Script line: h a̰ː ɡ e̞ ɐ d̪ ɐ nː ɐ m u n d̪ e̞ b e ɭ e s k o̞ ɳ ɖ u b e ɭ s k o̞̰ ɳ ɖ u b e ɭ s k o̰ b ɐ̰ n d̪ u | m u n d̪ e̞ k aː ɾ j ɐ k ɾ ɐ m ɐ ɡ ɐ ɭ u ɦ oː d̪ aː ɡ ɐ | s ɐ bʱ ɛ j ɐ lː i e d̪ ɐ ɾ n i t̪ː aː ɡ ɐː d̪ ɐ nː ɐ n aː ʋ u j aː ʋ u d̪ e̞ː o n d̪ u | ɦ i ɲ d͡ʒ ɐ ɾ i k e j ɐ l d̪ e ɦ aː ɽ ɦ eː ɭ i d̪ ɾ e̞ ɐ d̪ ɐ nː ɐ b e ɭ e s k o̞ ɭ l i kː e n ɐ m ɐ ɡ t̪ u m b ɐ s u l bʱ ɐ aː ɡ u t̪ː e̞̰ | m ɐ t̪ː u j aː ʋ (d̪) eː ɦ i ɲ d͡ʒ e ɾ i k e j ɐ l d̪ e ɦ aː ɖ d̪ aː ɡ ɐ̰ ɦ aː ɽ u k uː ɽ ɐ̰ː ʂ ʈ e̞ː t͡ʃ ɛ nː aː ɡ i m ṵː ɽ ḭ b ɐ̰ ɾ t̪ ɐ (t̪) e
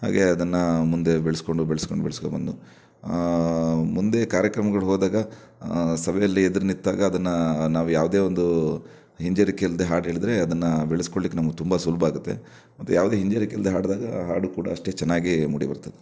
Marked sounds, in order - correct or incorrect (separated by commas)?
correct, incorrect